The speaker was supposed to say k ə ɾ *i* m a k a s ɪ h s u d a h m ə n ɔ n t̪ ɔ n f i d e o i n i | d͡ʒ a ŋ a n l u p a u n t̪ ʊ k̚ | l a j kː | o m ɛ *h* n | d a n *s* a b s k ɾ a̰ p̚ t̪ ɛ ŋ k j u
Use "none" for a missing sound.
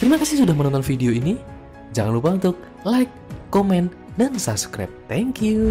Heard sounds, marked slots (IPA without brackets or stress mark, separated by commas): i, none, s